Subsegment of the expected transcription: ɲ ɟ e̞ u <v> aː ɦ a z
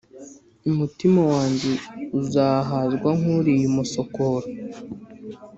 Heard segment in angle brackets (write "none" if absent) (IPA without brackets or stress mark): z